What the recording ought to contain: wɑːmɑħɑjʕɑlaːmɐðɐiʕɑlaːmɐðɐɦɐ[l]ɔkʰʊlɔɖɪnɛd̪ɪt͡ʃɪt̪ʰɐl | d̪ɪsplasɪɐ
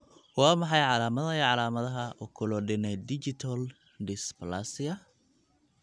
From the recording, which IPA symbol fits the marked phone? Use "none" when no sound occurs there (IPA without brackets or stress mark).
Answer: none